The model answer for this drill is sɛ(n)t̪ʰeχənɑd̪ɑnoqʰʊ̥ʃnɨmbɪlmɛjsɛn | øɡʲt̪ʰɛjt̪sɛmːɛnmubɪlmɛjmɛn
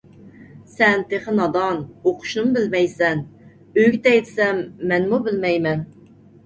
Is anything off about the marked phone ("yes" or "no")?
no